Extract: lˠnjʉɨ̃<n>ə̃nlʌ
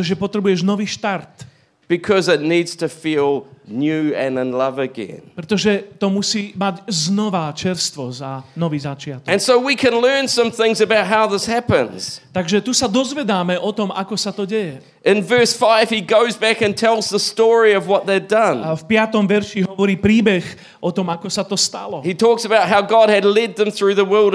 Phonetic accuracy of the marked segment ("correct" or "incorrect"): correct